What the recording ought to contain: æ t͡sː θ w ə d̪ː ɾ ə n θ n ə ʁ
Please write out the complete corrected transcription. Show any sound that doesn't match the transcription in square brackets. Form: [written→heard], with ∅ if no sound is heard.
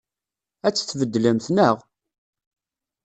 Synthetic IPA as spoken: æ t͡sː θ [w→v] ə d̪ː [ɾ→l] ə [n→m] θ n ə ʁ

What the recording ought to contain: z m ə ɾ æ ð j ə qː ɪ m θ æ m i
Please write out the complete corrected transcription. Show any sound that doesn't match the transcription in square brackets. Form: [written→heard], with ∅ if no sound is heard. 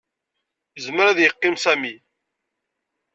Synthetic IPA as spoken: z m ə ɾ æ ð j ə qː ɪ m [θ→s] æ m i

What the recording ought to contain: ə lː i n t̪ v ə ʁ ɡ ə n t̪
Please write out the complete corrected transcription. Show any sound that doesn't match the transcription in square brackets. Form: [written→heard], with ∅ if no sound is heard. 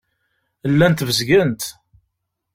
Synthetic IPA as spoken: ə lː [i→æ] n t̪ v ə [ʁ→z] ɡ ə n t̪

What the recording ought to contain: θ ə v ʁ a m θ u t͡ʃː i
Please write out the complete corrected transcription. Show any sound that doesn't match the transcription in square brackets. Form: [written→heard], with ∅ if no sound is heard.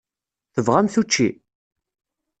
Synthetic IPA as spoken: θ ə v ʁ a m θ u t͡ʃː i

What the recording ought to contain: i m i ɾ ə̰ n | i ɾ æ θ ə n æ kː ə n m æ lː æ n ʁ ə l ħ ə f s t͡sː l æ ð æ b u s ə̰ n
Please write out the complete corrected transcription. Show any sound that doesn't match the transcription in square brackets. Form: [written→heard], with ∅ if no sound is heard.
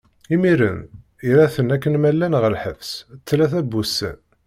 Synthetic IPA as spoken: i m i ɾ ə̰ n | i ɾ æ θ ə n æ kː ə n m æ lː æ n ʁ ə l ħ ə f s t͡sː l æ [ð→θ] æ b u s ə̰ n

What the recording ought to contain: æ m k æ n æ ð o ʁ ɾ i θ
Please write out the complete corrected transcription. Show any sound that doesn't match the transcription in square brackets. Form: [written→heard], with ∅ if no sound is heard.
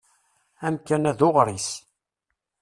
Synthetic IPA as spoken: æ m k æ n æ ð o ʁ ɾ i [θ→s]

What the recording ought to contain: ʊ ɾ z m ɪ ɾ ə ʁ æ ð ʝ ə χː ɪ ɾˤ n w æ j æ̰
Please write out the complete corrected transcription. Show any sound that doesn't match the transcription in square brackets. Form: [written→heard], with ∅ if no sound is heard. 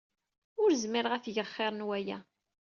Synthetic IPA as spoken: ʊ ɾ z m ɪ ɾ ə ʁ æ [ð→θ] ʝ ə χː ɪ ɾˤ n w æ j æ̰

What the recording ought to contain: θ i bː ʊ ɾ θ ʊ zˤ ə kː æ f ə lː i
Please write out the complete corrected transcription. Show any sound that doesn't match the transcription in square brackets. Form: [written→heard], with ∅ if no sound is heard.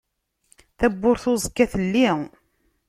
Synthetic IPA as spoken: θ [i→æ] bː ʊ ɾ θ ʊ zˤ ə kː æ [f→θ] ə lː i

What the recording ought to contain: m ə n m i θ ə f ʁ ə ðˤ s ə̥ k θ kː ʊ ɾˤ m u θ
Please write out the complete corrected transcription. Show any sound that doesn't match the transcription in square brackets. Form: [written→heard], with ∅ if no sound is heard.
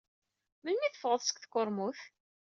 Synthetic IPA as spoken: m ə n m i θ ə f ʁ ə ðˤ s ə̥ k θ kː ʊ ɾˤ m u θ

